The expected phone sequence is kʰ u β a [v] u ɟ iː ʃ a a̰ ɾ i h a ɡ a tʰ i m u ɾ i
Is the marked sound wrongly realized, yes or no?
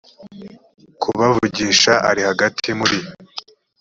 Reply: no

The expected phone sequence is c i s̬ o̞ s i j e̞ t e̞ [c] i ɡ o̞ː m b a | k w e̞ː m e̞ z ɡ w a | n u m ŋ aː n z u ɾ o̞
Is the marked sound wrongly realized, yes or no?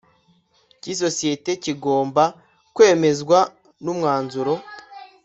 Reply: no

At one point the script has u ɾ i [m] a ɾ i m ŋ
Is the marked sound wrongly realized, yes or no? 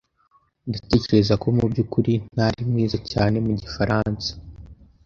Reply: yes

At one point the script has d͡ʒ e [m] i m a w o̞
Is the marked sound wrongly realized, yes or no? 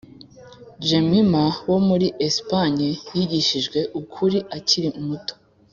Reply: no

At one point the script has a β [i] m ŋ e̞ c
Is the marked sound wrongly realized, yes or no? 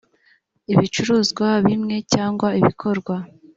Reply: no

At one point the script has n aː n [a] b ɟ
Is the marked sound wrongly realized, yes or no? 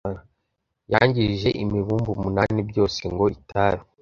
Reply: yes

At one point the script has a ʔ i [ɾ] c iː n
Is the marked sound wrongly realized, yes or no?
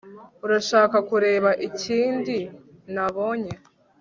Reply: yes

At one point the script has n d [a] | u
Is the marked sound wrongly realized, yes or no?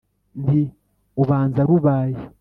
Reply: yes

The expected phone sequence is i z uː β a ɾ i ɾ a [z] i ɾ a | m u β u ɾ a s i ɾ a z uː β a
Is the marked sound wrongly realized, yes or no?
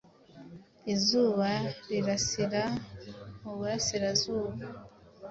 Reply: yes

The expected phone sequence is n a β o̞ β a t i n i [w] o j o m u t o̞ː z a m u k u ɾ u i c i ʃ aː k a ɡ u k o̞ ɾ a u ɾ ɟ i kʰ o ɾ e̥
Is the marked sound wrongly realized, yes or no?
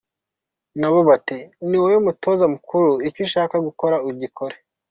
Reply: no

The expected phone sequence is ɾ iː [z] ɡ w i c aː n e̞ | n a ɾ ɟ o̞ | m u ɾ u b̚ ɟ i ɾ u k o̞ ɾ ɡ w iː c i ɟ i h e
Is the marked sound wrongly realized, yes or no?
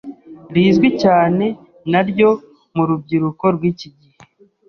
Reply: no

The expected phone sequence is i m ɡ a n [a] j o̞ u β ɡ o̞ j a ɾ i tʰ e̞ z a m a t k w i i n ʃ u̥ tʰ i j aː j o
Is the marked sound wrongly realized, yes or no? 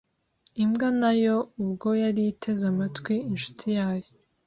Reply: no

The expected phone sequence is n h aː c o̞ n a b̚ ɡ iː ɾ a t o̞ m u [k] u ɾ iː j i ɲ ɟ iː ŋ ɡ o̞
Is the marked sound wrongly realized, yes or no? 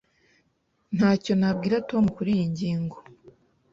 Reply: no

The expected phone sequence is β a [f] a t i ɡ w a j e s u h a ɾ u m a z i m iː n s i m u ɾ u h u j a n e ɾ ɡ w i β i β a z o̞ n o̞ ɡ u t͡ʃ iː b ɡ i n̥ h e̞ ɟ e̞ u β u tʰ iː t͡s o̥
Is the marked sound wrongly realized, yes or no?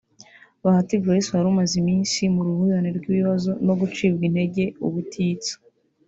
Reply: yes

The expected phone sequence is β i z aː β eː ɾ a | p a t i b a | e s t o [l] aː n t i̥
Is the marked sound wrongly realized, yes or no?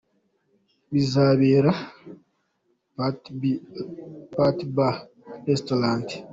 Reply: no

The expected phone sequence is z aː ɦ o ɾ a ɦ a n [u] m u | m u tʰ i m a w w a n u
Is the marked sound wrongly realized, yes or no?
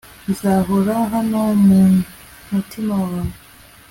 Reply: yes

